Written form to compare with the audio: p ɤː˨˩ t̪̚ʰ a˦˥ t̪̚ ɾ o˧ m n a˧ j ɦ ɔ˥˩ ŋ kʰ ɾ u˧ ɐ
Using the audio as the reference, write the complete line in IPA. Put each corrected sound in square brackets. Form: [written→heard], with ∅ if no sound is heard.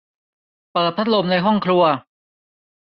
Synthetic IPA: p ɤː˨˩ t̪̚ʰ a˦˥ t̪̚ [ɾ→l] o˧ m n a˧ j ɦ ɔ˥˩ ŋ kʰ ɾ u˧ ɐ